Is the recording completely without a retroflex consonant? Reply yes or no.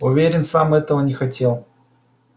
yes